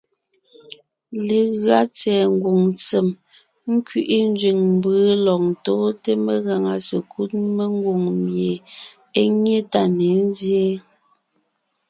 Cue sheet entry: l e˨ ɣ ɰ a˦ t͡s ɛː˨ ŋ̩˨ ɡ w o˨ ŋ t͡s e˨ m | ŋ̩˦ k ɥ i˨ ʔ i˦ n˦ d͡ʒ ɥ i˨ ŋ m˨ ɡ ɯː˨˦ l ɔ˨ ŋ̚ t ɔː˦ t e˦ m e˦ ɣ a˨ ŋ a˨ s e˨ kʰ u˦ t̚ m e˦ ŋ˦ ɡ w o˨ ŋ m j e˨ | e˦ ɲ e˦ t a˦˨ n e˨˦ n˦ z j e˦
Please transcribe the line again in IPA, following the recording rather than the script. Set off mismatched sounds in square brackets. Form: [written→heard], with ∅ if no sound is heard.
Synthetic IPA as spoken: l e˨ ɣ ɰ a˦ t͡s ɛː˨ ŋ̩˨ ɡ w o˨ ŋ t͡s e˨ m | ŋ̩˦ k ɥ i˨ ʔ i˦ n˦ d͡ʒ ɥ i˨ ŋ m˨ [ɡ→b] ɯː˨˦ l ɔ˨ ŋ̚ t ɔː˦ t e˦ m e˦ ɣ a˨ ŋ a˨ s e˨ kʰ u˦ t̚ m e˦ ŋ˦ ɡ w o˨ ŋ m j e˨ | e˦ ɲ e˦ t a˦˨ n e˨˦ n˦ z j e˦